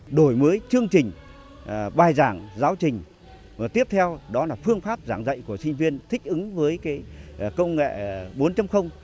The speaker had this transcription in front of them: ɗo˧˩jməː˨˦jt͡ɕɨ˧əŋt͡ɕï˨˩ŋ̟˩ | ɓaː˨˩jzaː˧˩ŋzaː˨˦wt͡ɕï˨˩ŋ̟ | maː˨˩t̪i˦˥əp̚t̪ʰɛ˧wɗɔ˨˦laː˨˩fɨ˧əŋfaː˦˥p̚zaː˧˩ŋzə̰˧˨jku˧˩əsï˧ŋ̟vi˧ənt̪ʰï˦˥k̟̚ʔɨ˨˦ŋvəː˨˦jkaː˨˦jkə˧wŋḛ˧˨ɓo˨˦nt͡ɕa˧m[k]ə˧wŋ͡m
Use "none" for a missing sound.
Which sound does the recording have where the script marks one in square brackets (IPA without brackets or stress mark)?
x